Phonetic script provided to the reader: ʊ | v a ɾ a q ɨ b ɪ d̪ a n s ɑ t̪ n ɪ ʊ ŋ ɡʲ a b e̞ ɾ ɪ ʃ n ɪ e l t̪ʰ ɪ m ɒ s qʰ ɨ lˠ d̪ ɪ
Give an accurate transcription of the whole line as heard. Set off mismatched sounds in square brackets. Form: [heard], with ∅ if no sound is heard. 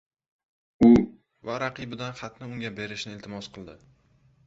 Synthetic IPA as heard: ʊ | v a ɾ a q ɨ b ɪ d̪ a n [χ] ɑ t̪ n ɪ ʊ ŋ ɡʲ a b e̞ ɾ ɪ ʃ n ɪ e l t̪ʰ ɪ m ɒ s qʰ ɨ lˠ d̪ ɪ